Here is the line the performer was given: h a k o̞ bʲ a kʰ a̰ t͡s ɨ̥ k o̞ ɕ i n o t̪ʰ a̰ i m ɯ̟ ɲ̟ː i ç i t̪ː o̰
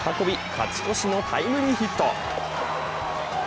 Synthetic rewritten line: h a k o̞ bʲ i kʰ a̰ t͡s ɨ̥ k o̞ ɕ i n o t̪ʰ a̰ i m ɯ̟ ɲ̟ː i ç i t̪ː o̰